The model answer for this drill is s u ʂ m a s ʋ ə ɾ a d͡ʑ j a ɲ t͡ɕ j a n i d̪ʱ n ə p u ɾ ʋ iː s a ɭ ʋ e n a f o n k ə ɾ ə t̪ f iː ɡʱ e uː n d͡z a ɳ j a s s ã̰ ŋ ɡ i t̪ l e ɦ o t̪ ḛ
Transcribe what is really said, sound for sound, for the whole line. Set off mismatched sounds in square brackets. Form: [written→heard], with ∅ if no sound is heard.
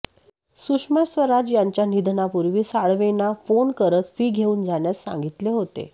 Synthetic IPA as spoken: s u ʂ m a s ʋ ə ɾ a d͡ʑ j a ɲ t͡ɕ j a n i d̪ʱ n [ə→a] p u ɾ ʋ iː s a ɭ ʋ e n a f o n k ə ɾ ə t̪ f iː ɡʱ e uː n d͡z a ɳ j a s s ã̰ ŋ ɡ i t̪ l e ɦ o t̪ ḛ